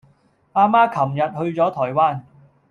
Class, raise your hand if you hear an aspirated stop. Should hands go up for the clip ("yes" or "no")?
yes